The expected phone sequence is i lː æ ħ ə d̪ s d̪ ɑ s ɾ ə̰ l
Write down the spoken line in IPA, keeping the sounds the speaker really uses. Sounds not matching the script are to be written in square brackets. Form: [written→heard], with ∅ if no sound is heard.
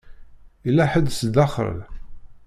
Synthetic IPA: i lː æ ħ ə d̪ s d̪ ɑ [s→χ] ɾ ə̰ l